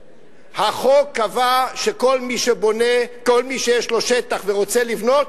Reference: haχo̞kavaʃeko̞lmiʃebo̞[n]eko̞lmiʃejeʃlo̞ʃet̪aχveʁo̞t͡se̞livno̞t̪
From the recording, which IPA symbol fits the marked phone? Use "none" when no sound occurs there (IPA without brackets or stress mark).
n